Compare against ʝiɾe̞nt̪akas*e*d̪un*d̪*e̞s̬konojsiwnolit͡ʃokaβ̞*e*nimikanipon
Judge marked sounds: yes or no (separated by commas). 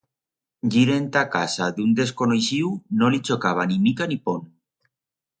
no, yes, no